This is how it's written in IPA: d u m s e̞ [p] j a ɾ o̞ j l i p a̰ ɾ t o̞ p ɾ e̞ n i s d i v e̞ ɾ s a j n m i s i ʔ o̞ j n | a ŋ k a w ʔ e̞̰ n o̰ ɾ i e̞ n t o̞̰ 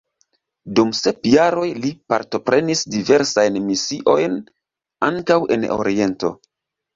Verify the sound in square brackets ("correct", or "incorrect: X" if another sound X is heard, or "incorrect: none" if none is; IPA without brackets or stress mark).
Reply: correct